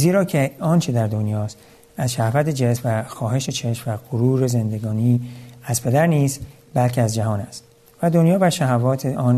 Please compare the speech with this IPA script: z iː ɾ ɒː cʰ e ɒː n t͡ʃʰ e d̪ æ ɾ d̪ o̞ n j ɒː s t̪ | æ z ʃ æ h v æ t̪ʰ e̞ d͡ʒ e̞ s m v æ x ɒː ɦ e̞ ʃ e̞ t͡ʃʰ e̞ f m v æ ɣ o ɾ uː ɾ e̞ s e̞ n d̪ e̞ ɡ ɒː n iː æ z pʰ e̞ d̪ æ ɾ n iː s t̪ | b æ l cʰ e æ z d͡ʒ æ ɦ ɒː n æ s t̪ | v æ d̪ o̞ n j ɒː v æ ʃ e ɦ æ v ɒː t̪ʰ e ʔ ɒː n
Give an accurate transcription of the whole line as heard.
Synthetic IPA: z iː ɾ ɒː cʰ e ɒː n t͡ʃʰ e d̪ æ ɾ d̪ o̞ n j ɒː s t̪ | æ z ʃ æ h v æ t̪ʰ e̞ d͡ʒ e̞ s m v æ x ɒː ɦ e̞ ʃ e̞ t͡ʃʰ e̞ ʃ m v æ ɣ o ɾ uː ɾ e̞ z e̞ n d̪ e̞ ɡ ɒː n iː æ z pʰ e̞ d̪ æ ɾ n iː s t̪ | b æ l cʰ e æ z d͡ʒ æ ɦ ɒː n æ s t̪ | v æ d̪ o̞ n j ɒː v æ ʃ æ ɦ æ v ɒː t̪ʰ e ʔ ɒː n